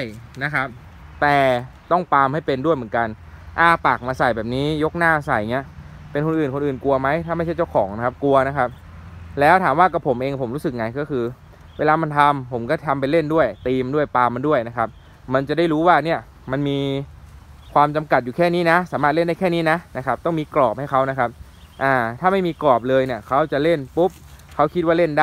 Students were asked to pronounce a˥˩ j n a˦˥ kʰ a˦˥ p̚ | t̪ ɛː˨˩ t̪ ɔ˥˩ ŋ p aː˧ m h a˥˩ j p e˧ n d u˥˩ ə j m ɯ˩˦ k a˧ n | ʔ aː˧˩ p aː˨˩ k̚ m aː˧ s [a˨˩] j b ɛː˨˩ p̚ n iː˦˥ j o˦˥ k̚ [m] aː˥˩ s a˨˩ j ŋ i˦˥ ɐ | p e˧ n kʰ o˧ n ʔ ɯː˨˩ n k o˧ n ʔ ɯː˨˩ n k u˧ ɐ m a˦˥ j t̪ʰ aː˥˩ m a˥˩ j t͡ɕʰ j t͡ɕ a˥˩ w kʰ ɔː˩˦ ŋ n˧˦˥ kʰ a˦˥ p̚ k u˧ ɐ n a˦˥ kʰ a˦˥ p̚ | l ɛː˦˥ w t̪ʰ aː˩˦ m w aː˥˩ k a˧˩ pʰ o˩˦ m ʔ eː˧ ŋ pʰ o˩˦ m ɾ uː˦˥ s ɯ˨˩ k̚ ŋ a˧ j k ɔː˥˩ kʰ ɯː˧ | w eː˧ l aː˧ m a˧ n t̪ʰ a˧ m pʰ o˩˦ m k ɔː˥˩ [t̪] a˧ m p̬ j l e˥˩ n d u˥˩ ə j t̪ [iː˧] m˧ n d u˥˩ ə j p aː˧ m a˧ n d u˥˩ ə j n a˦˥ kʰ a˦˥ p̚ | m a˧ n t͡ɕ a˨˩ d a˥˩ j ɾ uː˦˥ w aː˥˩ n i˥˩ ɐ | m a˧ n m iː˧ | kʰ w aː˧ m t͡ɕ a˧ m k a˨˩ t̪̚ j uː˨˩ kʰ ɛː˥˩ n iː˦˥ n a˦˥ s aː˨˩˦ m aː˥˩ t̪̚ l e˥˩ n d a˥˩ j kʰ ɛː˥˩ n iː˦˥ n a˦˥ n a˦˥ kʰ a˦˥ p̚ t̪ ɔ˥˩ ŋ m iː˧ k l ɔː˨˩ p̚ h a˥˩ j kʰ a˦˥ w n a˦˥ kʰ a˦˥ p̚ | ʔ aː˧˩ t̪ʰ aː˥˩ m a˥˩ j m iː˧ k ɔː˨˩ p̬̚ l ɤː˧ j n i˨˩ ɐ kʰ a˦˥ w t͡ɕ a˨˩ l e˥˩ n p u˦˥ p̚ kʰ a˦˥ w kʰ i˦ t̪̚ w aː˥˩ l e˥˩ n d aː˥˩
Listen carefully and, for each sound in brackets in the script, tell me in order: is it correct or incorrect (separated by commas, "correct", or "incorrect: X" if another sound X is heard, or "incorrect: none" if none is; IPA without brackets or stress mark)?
correct, incorrect: n, incorrect: t̪ʰ, correct